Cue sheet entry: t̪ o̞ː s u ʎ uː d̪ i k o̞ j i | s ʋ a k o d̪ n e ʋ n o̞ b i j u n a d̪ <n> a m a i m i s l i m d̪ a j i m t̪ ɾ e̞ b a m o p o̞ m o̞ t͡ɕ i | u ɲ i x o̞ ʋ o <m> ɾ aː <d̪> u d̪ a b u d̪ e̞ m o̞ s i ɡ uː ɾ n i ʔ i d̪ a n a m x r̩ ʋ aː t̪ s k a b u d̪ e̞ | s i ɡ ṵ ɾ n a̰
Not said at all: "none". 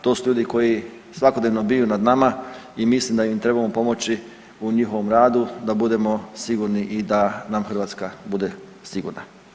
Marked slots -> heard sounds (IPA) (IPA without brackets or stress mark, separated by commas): n, m, d̪